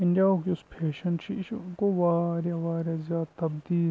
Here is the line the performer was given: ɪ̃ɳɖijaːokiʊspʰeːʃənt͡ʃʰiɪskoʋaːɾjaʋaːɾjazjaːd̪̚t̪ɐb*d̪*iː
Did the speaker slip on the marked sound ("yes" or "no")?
no